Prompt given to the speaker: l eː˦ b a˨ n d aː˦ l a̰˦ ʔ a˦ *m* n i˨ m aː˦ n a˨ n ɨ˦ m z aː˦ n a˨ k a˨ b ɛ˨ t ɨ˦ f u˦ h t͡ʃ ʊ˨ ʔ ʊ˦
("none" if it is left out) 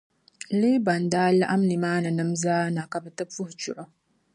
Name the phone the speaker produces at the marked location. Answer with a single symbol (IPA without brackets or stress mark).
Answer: m